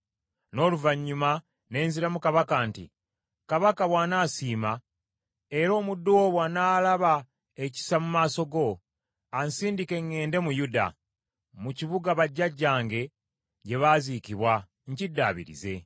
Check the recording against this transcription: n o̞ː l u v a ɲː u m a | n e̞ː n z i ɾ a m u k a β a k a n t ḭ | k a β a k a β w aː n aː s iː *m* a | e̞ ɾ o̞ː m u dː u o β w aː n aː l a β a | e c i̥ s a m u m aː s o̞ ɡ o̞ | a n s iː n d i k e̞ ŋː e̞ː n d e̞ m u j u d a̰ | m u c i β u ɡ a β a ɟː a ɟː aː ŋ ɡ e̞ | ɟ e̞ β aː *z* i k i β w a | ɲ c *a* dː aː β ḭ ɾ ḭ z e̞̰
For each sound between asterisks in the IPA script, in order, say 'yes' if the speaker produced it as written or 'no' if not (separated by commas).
yes, yes, no